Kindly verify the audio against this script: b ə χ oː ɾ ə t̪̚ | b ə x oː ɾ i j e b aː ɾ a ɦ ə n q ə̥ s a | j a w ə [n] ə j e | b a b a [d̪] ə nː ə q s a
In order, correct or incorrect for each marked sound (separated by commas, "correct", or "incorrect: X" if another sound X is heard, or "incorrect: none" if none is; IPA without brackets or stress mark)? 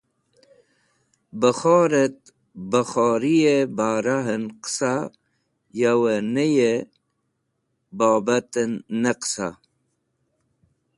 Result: correct, incorrect: t̪